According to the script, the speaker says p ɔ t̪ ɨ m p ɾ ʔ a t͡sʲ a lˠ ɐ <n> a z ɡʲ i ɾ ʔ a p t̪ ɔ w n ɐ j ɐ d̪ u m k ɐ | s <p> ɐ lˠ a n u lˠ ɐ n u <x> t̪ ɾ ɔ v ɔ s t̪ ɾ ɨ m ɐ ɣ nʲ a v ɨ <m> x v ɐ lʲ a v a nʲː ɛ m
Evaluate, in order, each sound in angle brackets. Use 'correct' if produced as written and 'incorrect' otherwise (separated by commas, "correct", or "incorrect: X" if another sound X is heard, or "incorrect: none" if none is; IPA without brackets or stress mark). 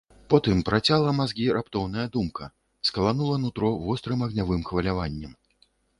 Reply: incorrect: m, incorrect: k, incorrect: none, correct